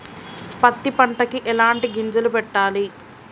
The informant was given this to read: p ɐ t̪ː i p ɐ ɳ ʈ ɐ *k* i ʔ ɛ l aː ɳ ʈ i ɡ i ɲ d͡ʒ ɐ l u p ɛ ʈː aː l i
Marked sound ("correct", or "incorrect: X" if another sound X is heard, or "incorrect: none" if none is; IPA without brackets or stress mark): correct